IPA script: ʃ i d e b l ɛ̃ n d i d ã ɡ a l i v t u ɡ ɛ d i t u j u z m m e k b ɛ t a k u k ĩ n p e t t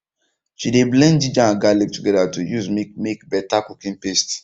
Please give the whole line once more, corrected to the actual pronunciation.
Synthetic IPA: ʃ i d e b l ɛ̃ n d i d͡ʒ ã ɡ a l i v t u ɡ ɛ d a t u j u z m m e k b ɛ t a k u k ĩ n p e s t